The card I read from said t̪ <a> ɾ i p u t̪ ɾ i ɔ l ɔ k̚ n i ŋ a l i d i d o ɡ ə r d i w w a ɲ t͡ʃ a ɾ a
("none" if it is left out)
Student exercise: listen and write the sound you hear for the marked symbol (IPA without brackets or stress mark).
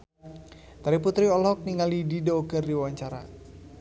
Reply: a